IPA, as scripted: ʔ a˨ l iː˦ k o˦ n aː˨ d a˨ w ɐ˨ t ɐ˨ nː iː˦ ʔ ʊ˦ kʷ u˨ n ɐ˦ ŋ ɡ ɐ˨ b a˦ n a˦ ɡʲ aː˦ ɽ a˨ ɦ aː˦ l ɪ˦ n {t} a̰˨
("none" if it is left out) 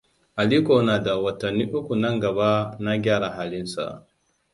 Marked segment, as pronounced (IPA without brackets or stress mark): s